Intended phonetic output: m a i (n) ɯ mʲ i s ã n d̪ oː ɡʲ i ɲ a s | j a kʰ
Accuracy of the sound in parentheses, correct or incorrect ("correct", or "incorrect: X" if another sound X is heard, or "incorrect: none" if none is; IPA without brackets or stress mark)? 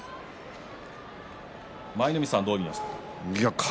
correct